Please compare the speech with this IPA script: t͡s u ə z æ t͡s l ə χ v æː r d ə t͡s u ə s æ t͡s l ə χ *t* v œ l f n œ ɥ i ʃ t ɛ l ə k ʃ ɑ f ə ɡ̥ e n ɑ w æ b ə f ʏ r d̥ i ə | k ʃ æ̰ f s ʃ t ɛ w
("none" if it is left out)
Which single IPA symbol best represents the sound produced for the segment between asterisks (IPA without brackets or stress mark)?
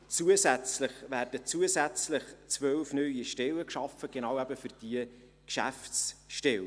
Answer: t͡s